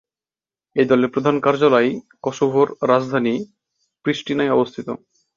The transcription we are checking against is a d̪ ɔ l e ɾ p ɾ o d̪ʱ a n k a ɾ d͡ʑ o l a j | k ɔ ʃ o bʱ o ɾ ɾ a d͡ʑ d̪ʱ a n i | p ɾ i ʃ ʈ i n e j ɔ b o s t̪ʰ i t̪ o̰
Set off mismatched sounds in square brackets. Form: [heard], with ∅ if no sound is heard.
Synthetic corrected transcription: [e] d̪ ɔ l e ɾ p ɾ o d̪ʱ a n k a ɾ d͡ʑ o l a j | k ɔ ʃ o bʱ o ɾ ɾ a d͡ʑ d̪ʱ a n i | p ɾ i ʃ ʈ i n [a] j ɔ b o s t̪ʰ i t̪ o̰